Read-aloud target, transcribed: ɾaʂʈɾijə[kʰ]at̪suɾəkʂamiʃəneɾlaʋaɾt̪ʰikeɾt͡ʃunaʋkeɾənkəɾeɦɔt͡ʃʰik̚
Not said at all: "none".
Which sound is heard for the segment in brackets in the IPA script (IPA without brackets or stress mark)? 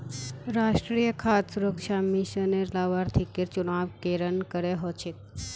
kʰ